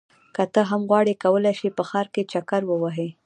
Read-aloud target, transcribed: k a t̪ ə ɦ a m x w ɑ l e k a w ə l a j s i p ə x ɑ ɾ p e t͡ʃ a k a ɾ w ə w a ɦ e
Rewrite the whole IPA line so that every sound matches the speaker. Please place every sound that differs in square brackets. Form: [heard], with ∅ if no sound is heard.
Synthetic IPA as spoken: k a t̪ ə ɦ a m [ɣ] w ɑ [ɽ] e k a w ə l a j [ʃ] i p ə x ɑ ɾ [k] e t͡ʃ a k a ɾ w ə w a ɦ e